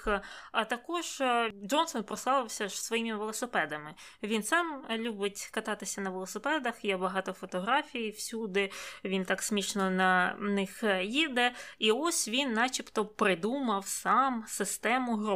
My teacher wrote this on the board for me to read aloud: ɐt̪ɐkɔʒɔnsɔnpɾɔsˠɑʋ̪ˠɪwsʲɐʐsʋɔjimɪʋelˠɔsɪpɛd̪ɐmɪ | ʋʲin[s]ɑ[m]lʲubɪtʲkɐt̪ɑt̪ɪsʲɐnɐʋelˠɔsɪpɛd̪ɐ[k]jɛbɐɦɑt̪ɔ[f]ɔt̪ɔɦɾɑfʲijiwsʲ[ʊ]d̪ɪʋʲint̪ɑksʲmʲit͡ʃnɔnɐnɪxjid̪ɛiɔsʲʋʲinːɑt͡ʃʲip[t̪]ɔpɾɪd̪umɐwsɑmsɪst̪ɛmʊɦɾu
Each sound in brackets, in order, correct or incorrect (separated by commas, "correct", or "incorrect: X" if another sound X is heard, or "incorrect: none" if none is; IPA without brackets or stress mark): correct, correct, incorrect: x, correct, incorrect: u, correct